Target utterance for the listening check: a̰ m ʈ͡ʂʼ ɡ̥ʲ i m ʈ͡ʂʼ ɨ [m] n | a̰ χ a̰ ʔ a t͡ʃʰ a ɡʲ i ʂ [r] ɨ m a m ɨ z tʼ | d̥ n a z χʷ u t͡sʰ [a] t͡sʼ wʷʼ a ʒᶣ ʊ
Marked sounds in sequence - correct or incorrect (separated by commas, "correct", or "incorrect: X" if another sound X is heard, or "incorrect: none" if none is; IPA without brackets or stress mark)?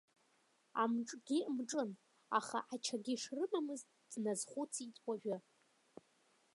incorrect: none, correct, incorrect: i